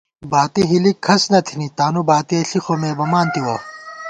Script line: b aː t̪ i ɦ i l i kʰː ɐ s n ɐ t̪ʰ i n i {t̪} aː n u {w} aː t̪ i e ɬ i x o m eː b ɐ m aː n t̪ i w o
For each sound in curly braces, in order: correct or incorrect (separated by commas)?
correct, incorrect